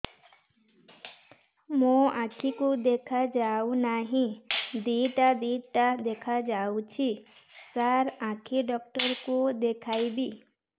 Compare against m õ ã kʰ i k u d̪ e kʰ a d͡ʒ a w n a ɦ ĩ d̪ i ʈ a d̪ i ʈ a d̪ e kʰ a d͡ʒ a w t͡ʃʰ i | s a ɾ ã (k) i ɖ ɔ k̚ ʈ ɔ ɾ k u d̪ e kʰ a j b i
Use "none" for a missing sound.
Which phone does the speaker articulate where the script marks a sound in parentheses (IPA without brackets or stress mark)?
kʰ